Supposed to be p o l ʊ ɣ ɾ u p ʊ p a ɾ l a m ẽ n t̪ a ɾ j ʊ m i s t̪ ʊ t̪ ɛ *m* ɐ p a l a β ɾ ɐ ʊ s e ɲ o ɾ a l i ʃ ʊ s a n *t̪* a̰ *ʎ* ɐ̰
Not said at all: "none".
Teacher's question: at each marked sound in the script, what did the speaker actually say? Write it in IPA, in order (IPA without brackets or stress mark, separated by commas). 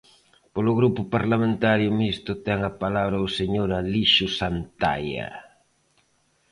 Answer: ŋ, t̪, j